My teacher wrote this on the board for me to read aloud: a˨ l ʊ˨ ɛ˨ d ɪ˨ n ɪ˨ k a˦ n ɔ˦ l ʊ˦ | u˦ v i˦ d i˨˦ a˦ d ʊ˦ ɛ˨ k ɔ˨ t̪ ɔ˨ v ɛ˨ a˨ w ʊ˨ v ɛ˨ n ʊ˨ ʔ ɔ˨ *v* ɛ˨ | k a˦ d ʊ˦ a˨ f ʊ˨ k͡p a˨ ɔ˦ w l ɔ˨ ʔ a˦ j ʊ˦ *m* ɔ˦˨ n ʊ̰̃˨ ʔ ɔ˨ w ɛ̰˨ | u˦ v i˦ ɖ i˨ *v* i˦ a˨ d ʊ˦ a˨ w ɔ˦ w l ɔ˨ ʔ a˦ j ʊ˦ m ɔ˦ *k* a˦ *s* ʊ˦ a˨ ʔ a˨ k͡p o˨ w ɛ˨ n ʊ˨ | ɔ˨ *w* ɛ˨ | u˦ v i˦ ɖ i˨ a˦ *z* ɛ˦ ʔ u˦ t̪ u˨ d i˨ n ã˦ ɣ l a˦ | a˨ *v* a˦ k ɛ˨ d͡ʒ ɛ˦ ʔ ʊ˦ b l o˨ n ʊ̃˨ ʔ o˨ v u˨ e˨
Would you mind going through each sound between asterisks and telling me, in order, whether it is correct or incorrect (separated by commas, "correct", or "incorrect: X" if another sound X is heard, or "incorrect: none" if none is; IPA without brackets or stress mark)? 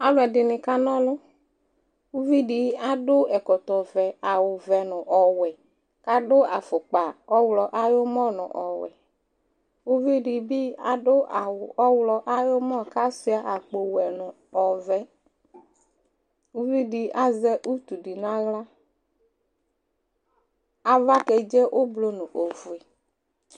incorrect: w, correct, incorrect: b, correct, correct, incorrect: v, correct, correct